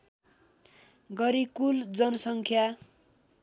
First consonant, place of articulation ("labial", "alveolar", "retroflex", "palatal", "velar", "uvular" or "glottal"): velar